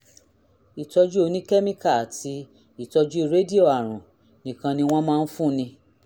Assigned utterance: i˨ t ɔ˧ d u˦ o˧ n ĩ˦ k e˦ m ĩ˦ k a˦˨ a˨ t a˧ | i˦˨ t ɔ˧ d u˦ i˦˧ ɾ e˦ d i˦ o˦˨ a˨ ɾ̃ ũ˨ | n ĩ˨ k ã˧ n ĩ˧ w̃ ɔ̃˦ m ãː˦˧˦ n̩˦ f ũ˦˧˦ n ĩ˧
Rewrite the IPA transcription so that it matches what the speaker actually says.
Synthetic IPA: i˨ t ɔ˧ d͡ʒ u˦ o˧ n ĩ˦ k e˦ m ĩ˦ k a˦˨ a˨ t i˧ | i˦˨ t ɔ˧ d͡ʒ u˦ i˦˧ ɾ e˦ d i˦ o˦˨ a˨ ɾ̃ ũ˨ | n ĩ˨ k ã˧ n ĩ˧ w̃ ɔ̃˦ m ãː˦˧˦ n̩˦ f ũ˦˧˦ n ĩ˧